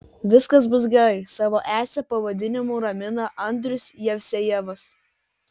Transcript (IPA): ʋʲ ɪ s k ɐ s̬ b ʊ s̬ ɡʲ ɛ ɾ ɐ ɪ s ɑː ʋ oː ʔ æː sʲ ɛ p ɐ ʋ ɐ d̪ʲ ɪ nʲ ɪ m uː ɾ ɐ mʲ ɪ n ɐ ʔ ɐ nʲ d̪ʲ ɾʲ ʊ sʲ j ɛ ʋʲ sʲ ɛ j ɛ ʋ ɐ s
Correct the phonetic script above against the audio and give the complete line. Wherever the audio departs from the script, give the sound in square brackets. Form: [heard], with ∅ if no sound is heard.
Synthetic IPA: ʋʲ ɪ s k ɐ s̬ b ʊ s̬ ɡʲ ɛ ɾ ɐ ɪ s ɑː ʋ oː ʔ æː sʲ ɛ p ɐ ʋ ɐ d̪ʲ ɪ nʲ ɪ m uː ɾ ɐ mʲ ɪ n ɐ ʔ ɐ nʲ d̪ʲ ɾʲ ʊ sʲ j ɛ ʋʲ sʲ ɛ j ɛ ʋ ɐ s